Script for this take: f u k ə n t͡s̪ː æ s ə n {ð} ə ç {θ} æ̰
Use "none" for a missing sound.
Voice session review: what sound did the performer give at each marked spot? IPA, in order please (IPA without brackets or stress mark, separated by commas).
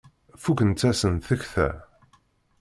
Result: θ, θ